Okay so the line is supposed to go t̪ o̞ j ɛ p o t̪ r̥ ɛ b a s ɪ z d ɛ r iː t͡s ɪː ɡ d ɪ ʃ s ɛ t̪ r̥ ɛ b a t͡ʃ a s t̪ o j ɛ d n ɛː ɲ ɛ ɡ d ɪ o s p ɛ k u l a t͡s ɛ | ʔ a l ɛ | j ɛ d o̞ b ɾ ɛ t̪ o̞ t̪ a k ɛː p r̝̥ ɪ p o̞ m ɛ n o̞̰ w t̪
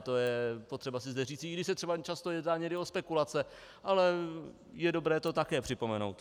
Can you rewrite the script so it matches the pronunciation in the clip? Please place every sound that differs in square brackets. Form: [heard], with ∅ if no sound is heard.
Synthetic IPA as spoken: t̪ o̞ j ɛ p o t̪ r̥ ɛ b a s ɪ z d ɛ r iː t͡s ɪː ɡ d ɪ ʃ s ɛ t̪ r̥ ɛ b a t͡ʃ a s t̪ o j ɛ d n [aː] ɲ ɛ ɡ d ɪ o s p ɛ k u l a t͡s ɛ | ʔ a l ɛ | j ɛ d o̞ b ɾ [ɛː] t̪ o̞ t̪ a k ɛː p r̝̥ ɪ p o̞ m ɛ n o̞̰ w t̪